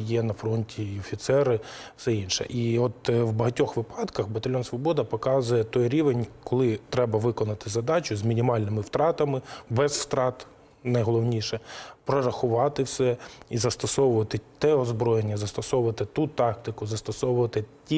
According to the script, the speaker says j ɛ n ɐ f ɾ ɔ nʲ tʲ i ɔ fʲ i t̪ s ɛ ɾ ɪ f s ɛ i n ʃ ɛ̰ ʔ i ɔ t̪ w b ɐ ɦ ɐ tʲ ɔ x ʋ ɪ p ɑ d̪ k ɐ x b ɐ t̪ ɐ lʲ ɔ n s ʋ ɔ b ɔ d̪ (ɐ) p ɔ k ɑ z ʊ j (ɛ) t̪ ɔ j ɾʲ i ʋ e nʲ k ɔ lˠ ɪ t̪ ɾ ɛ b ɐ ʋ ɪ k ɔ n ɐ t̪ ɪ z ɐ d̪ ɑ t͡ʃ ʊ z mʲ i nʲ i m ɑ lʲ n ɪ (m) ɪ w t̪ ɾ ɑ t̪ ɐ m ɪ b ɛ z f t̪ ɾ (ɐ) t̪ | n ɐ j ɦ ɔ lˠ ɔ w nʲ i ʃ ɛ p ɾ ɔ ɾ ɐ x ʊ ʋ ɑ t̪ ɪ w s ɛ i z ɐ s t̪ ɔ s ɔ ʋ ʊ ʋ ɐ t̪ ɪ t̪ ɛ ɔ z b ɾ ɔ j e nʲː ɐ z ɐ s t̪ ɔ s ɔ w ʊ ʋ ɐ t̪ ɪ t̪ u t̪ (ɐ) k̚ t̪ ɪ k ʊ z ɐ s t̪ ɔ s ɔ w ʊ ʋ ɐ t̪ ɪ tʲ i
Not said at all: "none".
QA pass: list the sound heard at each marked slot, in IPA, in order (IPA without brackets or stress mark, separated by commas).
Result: ɐ, ɛ, m, ɑ, ɑ